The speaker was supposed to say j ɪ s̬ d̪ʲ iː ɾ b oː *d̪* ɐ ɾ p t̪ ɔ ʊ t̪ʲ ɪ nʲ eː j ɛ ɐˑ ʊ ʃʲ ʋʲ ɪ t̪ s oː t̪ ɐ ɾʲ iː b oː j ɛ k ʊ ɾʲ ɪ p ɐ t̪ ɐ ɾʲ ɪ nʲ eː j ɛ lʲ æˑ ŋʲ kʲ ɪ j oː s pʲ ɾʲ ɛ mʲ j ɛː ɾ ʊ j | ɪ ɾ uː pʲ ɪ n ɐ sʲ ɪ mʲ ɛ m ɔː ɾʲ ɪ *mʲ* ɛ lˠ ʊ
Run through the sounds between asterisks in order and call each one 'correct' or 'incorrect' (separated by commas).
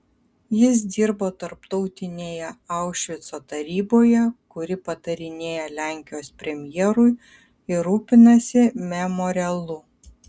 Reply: incorrect, incorrect